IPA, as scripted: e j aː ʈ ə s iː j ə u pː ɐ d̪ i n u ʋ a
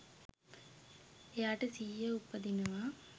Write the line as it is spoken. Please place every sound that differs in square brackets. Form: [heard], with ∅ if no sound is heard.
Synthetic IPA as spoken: e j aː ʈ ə s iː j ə u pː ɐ d̪ i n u ʋ a